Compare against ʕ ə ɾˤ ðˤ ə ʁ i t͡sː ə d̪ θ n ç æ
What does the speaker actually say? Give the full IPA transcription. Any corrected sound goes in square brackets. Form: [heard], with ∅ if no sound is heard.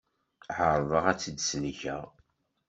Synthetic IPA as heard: ʕ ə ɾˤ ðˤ ə ʁ [æ] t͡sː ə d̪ [s] n ç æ